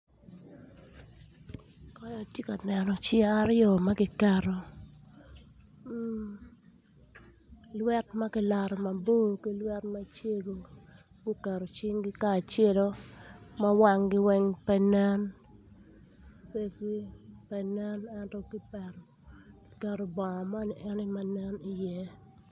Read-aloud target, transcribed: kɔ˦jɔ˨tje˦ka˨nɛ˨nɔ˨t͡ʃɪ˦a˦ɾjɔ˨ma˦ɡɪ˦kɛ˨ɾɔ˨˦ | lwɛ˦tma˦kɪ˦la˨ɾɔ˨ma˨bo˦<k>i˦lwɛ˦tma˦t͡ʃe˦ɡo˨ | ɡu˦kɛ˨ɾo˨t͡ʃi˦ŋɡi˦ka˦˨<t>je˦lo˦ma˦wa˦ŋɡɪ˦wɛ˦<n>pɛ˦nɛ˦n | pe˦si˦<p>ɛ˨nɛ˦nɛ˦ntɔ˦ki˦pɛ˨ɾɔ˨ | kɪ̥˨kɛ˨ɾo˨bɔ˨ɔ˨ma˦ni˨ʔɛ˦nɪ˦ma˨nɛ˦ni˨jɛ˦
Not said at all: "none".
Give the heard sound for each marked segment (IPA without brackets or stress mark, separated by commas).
k, t͡ʃ, ŋ, p